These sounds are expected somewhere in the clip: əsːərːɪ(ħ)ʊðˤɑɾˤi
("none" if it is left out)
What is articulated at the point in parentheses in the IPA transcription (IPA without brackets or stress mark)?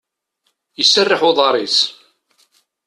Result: ħ